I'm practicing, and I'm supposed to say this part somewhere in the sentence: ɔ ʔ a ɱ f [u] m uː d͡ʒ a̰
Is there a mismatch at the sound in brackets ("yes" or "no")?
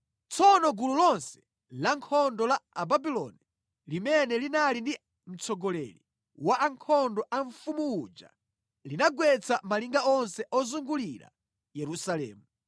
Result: no